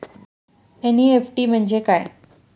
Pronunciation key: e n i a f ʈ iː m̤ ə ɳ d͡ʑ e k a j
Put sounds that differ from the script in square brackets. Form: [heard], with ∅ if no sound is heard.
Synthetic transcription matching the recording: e n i [e] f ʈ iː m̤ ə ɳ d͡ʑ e k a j